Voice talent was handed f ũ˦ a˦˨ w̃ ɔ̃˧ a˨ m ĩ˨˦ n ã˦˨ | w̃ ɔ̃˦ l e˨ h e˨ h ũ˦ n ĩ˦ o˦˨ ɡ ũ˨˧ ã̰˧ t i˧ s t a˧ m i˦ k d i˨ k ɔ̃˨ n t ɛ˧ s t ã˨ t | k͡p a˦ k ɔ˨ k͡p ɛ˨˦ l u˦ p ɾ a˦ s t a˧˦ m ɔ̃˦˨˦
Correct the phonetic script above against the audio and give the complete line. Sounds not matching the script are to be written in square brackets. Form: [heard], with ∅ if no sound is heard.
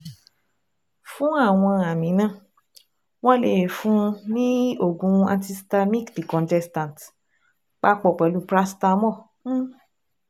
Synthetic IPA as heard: f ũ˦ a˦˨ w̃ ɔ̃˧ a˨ m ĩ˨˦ n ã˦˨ | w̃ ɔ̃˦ l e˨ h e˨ [f] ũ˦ n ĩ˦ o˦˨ ɡ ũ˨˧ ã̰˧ t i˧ s t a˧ m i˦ k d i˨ k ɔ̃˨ n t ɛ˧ s t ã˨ t | k͡p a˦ [k͡p] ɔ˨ k͡p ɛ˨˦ l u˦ p ɾ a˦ s t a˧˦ m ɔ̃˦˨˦